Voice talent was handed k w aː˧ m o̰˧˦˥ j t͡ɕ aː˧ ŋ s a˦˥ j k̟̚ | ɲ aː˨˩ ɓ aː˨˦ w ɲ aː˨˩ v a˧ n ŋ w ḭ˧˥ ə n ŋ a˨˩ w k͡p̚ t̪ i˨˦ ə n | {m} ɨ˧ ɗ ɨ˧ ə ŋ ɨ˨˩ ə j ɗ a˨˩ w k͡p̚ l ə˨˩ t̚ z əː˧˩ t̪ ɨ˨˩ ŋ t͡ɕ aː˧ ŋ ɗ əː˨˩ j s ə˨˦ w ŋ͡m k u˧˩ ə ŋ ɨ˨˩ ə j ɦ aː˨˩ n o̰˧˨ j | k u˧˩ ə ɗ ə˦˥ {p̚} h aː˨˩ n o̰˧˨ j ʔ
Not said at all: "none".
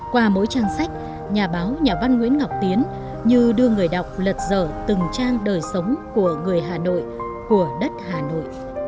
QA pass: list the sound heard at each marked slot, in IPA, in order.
ɲ, t̚

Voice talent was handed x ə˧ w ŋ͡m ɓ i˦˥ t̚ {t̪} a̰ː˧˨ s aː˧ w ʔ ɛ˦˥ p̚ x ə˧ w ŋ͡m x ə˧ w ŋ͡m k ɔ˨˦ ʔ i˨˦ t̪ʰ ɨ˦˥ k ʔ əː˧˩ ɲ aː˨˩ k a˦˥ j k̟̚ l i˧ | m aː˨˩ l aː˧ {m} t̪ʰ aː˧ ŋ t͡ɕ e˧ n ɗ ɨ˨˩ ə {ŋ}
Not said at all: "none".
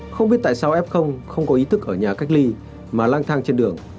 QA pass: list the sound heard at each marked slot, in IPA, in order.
t̪, ŋ, ŋ

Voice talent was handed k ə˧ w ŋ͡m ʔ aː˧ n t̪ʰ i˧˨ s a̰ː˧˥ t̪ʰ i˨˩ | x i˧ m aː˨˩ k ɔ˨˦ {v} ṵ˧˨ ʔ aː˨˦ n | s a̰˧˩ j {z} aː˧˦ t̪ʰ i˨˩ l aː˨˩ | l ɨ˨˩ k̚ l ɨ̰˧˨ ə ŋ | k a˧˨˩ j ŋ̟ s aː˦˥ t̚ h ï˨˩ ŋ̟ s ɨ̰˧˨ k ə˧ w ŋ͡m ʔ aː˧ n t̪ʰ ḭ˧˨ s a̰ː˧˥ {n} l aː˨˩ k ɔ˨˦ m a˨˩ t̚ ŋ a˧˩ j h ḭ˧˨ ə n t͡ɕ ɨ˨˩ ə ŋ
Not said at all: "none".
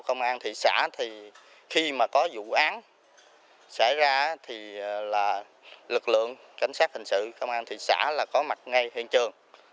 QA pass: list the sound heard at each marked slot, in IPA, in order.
z, z, none

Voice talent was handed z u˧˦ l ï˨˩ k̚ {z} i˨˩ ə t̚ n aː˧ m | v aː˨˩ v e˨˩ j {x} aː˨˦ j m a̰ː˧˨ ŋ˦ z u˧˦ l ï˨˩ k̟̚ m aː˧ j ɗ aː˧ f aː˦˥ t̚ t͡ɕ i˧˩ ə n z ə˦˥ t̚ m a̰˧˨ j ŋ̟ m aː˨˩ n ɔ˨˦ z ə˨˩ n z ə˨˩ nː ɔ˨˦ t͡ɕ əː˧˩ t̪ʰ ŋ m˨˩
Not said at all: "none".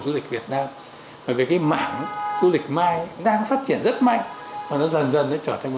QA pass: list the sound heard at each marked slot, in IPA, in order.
v, k

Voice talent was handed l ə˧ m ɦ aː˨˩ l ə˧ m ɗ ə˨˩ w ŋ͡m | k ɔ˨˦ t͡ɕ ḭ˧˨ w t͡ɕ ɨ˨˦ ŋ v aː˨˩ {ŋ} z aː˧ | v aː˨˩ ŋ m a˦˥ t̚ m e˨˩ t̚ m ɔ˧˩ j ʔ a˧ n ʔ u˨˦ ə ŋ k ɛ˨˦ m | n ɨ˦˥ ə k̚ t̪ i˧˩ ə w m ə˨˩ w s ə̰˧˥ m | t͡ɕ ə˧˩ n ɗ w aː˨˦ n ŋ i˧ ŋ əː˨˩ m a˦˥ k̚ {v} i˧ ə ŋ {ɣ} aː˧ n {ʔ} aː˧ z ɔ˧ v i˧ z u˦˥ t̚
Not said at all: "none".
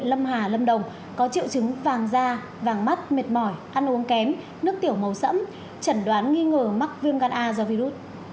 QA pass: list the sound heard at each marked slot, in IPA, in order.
ŋ, v, ɣ, ʔ

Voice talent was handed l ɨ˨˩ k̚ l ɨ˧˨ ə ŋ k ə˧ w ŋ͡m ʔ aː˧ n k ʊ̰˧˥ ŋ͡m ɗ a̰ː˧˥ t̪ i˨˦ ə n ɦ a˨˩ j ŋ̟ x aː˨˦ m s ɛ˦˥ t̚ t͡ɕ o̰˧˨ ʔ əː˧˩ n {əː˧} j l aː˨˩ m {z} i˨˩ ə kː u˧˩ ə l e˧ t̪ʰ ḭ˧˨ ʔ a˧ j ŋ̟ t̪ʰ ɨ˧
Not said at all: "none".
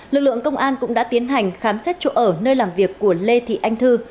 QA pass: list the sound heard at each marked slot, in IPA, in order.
əː˧, v

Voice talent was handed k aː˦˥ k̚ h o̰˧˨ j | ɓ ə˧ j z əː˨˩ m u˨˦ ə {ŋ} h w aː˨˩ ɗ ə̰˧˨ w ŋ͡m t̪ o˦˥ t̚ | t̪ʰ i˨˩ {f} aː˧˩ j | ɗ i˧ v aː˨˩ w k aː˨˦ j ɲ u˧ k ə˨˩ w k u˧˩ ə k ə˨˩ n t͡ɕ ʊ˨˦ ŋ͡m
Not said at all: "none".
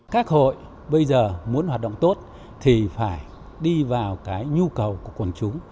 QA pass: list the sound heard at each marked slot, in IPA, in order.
n, f

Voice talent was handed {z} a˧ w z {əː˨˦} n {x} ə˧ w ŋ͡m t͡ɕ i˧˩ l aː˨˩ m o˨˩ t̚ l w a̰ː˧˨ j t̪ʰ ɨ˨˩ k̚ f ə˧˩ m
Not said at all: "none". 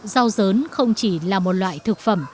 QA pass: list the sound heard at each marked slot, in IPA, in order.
z, əː˨˦, x

